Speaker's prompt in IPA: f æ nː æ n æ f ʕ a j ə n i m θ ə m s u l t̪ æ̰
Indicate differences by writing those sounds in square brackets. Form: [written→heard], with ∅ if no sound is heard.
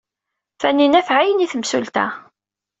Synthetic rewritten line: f æ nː [æ→i] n æ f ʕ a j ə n i [m→∅] θ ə m s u l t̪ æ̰